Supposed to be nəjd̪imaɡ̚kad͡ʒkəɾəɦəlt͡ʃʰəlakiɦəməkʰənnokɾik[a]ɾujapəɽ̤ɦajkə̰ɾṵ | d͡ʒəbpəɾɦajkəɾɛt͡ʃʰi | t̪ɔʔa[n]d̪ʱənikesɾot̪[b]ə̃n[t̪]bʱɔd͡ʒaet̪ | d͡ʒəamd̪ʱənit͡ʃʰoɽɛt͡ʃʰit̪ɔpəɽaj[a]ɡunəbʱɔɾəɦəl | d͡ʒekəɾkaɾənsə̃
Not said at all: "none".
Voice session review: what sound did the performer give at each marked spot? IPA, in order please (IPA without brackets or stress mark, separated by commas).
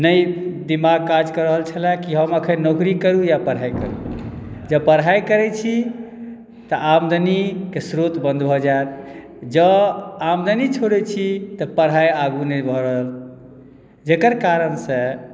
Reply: ə, m, b, d̪, a